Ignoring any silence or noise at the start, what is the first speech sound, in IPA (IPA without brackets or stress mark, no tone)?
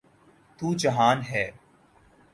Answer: t̪